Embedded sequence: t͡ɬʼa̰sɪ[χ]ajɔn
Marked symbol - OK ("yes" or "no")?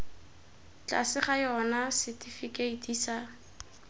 yes